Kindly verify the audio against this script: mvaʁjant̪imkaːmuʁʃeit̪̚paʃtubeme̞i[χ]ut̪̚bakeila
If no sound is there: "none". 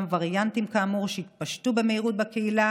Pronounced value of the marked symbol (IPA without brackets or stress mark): ʁ